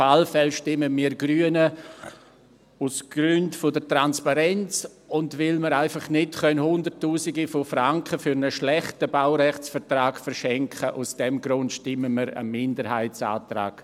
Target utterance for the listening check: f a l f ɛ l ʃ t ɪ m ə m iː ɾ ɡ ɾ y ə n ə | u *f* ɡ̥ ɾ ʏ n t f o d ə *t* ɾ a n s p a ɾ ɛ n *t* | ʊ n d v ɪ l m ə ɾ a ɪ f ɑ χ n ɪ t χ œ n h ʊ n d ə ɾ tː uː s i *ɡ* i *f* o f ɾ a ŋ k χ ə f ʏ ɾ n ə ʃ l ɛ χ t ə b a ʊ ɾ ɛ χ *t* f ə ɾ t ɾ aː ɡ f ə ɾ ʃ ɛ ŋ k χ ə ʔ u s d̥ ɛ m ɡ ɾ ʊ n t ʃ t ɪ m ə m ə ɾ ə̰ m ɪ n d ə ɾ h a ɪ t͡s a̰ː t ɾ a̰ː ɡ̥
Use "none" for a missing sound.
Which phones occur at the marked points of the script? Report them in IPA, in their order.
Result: s, t, t͡s, ɡ, f, t͡s

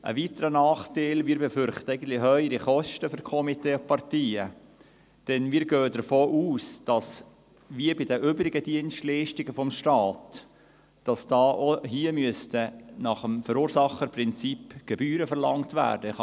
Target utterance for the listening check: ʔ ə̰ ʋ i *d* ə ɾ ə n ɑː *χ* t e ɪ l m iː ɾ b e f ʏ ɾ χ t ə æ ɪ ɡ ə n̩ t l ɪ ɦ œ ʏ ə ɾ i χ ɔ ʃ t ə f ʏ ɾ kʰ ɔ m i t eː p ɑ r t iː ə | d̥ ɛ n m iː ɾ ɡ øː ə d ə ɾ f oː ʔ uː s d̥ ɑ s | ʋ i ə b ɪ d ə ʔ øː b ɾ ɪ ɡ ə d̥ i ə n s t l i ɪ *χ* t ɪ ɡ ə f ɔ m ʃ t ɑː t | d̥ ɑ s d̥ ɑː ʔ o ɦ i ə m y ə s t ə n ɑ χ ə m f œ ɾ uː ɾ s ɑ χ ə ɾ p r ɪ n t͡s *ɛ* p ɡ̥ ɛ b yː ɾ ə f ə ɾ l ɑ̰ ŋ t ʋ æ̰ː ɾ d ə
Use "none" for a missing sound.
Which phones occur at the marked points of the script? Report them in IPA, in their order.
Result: t, χ, ʃ, i

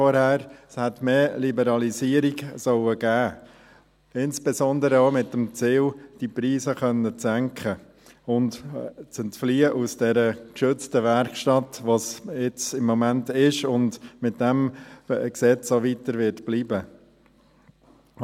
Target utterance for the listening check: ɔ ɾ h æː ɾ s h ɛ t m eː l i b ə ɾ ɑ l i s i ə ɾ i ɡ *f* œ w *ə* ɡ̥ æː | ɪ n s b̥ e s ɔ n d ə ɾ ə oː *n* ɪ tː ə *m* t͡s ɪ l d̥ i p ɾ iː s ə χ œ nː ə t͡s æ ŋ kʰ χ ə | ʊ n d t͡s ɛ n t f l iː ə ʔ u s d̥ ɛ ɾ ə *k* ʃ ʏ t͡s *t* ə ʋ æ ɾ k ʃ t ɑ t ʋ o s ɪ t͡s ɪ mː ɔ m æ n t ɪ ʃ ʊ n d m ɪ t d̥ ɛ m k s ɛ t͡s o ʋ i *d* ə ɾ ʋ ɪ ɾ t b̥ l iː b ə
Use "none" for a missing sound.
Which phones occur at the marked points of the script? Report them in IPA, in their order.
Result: s, ə, m, m, k, t, t

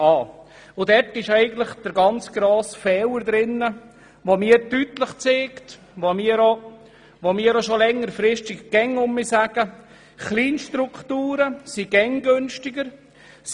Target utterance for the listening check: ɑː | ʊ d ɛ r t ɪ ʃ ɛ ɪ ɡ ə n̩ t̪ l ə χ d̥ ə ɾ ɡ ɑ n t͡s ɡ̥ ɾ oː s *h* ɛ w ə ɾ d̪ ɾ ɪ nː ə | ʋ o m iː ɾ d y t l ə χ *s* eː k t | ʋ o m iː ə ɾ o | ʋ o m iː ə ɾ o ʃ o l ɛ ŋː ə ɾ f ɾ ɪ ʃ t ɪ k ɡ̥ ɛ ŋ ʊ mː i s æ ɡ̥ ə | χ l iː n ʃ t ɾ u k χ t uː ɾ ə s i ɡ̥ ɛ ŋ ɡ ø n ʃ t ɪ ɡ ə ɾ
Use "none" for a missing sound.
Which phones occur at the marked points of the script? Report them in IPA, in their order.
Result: f, t͡s

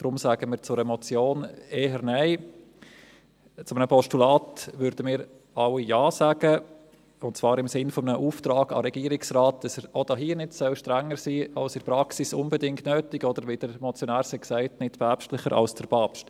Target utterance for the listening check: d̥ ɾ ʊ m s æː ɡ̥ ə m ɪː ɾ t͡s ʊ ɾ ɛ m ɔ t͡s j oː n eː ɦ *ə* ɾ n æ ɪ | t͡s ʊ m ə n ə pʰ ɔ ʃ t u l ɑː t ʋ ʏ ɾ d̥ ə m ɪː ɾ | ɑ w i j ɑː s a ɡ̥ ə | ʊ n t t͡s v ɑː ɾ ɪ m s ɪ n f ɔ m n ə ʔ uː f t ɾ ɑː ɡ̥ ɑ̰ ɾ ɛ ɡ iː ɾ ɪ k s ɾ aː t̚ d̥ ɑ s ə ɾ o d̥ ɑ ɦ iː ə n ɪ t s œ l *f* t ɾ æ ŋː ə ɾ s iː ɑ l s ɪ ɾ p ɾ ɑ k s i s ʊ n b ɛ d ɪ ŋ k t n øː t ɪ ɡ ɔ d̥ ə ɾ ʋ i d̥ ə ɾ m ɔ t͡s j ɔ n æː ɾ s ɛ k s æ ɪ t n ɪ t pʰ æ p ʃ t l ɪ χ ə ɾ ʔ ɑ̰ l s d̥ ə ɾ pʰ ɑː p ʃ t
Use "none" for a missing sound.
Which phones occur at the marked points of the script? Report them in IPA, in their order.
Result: ə, ʃ

